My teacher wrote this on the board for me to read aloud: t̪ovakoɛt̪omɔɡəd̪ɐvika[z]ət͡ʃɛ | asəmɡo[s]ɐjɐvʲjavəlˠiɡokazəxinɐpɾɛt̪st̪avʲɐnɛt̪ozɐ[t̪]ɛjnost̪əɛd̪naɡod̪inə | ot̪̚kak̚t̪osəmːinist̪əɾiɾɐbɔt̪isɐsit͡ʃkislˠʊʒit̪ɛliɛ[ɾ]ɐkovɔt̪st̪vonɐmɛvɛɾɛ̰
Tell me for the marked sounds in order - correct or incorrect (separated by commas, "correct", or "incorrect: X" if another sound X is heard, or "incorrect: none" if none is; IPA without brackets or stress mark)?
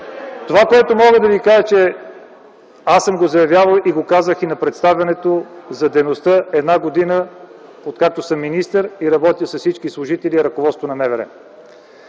incorrect: ʒ, incorrect: z, incorrect: d̪, correct